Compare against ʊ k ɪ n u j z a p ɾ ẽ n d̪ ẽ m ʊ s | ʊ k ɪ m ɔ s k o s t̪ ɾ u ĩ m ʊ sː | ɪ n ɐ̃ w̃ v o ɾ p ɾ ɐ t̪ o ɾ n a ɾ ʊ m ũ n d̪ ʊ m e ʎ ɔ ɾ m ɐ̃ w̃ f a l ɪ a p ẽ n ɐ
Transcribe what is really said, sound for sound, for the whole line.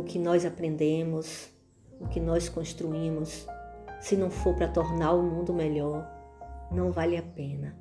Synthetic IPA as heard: ʊ k ɪ n ɔ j z a p ɾ ẽ n d̪ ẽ m ʊ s | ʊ k ɪ n ɔ s k õ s t̪ ɾ u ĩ m ʊ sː | ɪ n ɐ̃ w̃ f o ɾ p ɾ ɐ t̪ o ɾ n a ɾ ʊ m ũ n d̪ ʊ m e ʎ ɔ ɾ n ɐ̃ w̃ v a l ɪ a p ẽ n ɐ